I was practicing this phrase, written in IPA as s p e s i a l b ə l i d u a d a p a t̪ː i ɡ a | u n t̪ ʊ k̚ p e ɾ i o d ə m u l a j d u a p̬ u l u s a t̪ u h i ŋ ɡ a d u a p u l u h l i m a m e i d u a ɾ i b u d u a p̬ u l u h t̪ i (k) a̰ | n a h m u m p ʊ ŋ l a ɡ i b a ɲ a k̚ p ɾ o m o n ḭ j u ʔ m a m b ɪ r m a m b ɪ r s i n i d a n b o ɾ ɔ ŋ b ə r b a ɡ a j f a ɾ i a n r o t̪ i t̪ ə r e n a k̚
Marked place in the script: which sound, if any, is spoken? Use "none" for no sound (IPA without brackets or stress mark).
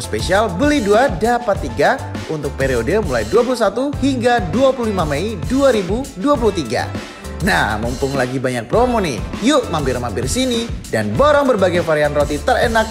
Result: ɡ